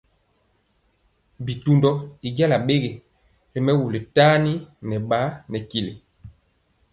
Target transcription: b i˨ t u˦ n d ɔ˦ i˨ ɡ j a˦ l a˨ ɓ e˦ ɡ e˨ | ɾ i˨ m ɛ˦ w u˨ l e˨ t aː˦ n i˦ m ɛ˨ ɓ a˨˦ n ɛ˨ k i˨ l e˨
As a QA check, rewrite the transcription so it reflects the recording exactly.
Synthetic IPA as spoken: b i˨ t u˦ n d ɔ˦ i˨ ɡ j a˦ l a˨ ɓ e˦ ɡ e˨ | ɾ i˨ m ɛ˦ w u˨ l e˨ t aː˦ n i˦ n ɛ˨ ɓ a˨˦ n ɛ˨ k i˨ l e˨